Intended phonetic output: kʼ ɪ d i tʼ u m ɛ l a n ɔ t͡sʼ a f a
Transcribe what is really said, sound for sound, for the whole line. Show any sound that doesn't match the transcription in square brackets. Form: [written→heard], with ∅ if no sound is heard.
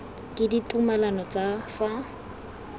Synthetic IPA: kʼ ɪ d i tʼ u m [ɛ→a] l a n ɔ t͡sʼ a f a